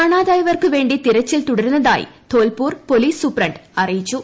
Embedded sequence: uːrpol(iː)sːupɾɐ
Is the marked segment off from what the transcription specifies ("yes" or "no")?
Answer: no